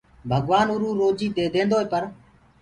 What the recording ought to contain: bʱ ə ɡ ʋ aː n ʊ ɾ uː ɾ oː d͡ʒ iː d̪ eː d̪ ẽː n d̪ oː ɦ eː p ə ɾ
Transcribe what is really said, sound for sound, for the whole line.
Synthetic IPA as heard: bʱ ə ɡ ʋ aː n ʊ ɾ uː ɾ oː d͡ʒ iː d̪ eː d̪ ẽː n d̪ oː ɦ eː p ə ɾ